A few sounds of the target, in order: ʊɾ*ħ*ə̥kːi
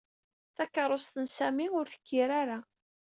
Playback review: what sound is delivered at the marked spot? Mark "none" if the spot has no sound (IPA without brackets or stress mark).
θ